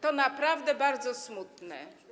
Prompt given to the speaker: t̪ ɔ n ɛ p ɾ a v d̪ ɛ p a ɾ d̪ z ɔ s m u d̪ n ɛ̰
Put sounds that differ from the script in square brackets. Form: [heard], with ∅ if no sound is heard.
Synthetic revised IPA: t̪ ɔ n [a] p ɾ a v d̪ ɛ [b] a ɾ d̪ z ɔ s m u [t̪] n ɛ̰